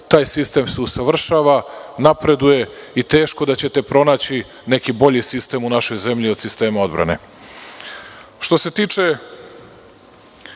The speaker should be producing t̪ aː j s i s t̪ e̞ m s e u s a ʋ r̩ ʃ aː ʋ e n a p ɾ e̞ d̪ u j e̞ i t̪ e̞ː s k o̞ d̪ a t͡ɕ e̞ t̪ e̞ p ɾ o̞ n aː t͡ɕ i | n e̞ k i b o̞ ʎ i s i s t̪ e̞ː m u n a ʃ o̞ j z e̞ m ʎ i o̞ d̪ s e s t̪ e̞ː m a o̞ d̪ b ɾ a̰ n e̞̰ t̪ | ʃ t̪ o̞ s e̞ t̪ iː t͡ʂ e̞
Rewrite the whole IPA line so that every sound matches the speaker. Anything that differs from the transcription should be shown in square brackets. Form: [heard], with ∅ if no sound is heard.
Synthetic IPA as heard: t̪ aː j s i s t̪ e̞ m s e u s a ʋ r̩ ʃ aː ʋ [a] n a p ɾ e̞ d̪ u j e̞ i t̪ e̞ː [ʃ] k o̞ d̪ a t͡ɕ e̞ t̪ e̞ p ɾ o̞ n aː t͡ɕ i | n e̞ k i b o̞ ʎ i s i s t̪ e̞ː m u n a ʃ o̞ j z e̞ m ʎ i o̞ d̪ s [i] s t̪ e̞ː m a o̞ d̪ b ɾ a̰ n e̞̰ [∅] | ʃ t̪ o̞ s e̞ t̪ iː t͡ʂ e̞